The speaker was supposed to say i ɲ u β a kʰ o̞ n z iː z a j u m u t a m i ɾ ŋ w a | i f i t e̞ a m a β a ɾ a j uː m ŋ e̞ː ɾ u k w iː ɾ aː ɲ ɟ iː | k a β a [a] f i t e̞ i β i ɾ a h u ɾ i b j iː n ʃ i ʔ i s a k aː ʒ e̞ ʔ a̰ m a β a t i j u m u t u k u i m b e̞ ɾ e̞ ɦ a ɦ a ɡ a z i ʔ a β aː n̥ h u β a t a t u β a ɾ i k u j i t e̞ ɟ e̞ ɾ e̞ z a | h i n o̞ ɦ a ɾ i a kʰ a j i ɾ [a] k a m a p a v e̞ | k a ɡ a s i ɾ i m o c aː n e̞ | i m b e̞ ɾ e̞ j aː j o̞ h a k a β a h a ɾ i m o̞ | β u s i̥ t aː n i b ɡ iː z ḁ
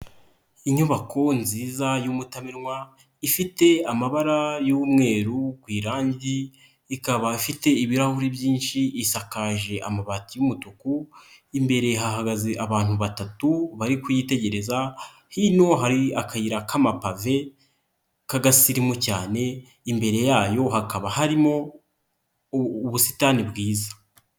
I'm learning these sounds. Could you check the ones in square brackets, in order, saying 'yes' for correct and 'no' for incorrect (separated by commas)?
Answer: no, yes